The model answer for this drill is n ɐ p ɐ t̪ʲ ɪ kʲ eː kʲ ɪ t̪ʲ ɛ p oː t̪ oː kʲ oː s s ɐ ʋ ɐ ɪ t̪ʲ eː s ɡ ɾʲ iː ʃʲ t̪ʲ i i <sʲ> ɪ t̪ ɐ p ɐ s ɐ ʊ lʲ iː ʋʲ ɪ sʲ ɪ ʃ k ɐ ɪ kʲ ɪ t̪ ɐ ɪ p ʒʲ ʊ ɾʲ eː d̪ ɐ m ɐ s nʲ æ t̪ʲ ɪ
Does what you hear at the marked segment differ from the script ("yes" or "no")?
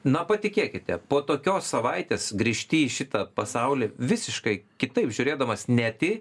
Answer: yes